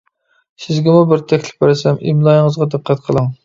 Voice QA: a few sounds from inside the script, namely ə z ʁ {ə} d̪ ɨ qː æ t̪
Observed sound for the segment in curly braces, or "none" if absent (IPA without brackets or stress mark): ɑ